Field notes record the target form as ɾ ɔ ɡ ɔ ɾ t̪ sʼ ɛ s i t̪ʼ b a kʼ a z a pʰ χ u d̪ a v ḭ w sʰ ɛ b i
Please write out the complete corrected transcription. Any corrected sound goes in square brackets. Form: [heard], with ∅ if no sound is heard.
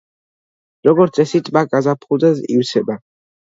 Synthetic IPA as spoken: ɾ ɔ ɡ ɔ ɾ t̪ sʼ ɛ s i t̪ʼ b a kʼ a z a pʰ χ u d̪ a [z] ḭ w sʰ ɛ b [a]